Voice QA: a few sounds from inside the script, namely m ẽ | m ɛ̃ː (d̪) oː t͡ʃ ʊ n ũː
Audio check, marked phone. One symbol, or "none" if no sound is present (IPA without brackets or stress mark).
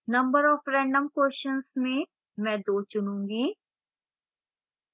d̪